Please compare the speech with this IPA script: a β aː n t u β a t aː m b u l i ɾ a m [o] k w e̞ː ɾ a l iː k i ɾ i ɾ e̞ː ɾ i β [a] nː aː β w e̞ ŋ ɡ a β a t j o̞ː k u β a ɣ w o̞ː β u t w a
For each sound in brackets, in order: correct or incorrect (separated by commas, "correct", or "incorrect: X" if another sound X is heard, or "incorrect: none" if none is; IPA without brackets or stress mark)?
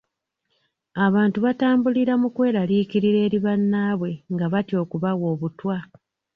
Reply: incorrect: u, correct